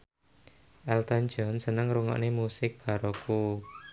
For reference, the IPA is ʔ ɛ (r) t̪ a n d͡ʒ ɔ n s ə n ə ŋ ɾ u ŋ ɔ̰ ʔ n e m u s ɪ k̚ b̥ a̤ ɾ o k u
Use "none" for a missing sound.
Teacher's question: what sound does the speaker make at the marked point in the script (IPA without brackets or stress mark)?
l